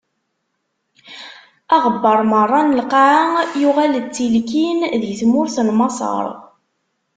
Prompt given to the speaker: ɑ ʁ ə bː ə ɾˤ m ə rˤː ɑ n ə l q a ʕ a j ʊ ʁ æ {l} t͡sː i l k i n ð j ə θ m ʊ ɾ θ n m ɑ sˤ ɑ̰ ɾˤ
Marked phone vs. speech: correct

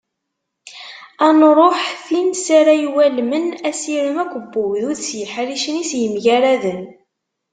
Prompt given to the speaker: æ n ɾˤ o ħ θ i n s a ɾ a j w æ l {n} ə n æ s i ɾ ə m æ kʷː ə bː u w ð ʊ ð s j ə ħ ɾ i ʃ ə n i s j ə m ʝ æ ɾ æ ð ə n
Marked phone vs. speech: incorrect: m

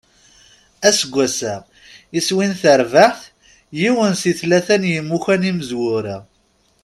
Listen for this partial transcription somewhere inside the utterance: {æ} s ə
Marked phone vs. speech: correct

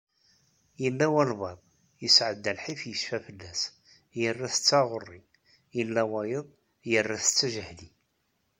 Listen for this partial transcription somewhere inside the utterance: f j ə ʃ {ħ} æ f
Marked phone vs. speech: incorrect: f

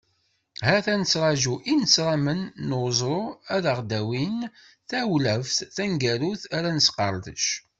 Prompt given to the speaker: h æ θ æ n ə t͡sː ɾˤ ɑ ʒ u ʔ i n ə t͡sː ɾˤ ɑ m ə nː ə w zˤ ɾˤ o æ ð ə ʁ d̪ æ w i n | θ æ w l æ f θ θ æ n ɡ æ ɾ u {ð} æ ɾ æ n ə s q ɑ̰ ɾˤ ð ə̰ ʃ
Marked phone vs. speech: incorrect: θ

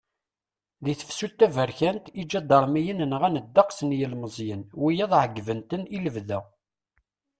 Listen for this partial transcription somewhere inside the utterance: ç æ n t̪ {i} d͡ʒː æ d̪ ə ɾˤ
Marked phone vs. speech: correct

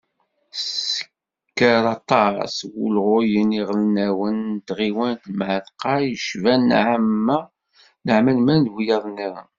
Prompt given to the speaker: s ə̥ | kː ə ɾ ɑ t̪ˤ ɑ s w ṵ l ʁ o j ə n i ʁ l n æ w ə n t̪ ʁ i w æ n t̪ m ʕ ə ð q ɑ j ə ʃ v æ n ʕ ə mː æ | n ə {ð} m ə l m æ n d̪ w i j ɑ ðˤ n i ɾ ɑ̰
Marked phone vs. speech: incorrect: ʕ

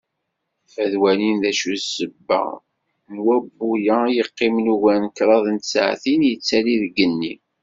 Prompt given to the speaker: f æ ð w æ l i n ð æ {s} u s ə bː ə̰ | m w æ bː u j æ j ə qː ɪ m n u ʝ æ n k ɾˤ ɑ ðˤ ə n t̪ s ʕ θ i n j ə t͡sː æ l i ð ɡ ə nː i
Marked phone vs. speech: incorrect: ʃ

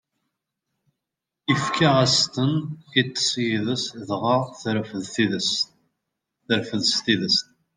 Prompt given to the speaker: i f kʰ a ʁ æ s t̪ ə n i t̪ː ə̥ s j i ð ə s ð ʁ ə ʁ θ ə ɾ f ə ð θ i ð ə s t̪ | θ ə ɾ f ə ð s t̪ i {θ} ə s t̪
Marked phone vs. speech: incorrect: ð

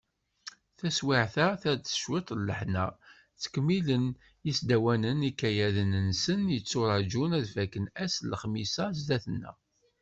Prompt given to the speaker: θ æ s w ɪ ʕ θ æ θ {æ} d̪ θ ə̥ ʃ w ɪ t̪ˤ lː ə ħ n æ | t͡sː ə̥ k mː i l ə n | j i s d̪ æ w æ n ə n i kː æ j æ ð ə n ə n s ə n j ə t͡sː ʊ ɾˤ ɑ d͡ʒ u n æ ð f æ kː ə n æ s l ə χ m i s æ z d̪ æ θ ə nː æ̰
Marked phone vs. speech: correct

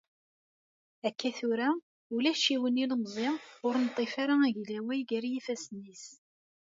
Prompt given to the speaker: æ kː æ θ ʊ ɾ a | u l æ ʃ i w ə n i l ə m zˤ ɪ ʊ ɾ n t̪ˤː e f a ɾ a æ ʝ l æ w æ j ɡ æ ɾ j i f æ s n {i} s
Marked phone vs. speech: correct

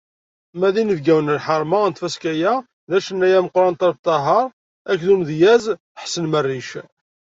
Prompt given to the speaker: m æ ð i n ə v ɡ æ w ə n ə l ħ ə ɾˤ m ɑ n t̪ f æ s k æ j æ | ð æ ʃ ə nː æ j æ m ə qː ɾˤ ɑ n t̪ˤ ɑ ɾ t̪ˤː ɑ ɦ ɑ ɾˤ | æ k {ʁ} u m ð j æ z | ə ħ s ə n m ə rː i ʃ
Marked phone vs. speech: incorrect: ð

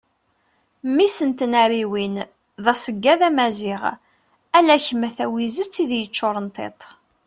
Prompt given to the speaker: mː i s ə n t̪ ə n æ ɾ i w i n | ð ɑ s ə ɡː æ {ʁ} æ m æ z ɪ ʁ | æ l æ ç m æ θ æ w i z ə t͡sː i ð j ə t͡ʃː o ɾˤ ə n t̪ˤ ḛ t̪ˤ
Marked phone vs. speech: incorrect: ð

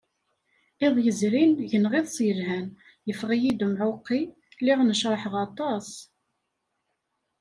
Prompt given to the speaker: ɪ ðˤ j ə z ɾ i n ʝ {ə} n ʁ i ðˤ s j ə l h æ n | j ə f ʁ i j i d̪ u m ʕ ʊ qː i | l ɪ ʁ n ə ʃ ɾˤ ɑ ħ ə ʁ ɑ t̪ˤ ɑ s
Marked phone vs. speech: correct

